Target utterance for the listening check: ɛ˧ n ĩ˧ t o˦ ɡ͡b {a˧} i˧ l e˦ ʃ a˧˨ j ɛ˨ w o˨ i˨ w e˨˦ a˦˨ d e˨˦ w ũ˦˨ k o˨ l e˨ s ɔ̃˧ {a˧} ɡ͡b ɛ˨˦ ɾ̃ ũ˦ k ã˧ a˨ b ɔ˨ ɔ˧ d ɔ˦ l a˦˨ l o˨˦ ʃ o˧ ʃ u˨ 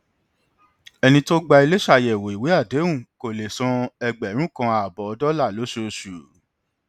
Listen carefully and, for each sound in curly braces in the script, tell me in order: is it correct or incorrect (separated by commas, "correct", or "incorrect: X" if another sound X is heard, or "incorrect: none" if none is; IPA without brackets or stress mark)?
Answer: correct, incorrect: ɛ˧